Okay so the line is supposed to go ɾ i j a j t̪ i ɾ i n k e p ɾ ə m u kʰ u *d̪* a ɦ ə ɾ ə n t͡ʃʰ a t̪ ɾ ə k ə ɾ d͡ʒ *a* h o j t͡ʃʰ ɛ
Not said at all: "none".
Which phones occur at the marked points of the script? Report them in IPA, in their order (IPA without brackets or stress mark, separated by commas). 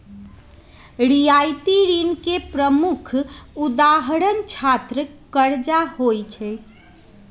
d̪, a